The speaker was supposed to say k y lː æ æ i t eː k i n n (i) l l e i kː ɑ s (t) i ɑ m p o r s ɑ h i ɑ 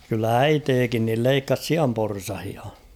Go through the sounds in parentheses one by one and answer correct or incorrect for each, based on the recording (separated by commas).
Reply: correct, incorrect